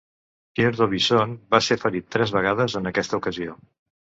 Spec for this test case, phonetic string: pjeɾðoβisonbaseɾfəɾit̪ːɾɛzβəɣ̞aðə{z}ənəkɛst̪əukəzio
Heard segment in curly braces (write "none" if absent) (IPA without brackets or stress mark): z